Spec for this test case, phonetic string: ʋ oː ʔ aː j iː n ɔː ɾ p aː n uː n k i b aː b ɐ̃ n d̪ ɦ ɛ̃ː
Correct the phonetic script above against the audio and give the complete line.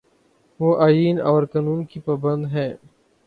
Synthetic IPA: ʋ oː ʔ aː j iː n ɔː ɾ k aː n uː n k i p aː b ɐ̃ n d̪ ɦ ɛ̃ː

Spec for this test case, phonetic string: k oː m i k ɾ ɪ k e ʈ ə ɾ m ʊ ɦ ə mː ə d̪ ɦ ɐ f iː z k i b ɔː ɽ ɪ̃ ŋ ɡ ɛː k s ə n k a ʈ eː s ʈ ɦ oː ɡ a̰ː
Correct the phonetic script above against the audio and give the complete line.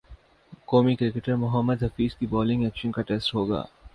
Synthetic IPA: k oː m i k ɾ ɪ k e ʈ ə ɾ m ʊ ɦ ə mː ə d̪ ɦ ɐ f iː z k i b ɔː l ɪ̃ ŋ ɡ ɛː k ʃ ə n k a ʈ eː s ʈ ɦ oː ɡ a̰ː

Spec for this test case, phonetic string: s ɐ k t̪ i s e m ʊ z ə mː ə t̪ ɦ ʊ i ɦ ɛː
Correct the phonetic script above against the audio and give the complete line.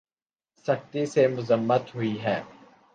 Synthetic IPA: s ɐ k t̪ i s e m ʊ z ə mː ə t̪ ɦ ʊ i ɦ ɛː

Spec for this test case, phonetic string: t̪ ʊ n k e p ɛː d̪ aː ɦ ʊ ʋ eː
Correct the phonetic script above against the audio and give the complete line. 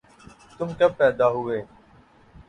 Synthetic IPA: t̪ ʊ m k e p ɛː d̪ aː ɦ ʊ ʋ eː

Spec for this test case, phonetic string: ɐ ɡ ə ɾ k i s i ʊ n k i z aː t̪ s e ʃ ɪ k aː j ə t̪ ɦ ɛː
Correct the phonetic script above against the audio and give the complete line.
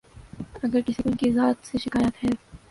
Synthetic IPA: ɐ ɡ ə ɾ k ɪ s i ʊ n k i z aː t̪ s e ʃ ɪ k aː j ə t̪ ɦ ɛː

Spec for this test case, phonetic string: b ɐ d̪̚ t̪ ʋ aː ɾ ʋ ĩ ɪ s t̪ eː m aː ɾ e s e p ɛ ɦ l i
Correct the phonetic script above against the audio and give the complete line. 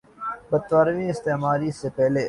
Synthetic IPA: b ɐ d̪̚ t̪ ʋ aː ɾ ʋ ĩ ɪ s t̪ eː m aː ɾ i s e p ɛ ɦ l e

